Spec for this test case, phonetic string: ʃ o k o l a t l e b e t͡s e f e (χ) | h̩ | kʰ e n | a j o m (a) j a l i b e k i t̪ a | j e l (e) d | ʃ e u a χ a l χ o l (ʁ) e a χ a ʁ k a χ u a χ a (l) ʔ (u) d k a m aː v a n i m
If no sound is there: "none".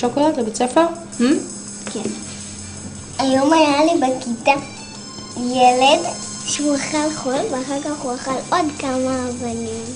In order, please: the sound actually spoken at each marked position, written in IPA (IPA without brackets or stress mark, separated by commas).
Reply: ʁ, a, e, v, l, o